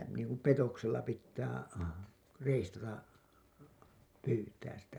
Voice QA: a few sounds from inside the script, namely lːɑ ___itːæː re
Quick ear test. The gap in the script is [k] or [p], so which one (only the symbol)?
p